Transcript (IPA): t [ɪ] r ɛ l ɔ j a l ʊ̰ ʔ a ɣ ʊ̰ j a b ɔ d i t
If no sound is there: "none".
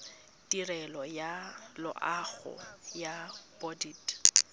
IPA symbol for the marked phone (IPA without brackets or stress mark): i